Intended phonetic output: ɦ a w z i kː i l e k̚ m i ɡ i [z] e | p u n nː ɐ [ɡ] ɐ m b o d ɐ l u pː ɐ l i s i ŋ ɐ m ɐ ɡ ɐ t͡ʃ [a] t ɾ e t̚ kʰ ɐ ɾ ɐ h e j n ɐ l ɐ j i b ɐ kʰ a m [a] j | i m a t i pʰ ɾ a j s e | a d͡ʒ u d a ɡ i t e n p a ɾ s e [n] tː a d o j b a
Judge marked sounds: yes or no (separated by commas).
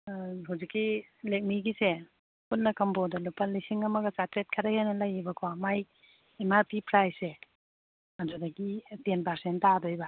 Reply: no, no, yes, yes, yes